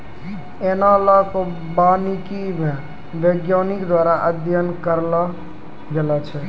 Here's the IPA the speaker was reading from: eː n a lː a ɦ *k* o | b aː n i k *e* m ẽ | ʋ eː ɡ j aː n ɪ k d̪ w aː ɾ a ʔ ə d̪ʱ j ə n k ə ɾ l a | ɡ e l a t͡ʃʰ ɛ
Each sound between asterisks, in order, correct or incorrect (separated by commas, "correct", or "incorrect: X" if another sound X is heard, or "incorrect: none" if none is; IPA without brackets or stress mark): correct, incorrect: i